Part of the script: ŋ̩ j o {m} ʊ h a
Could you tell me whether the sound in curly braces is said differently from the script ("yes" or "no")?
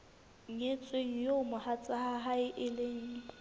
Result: no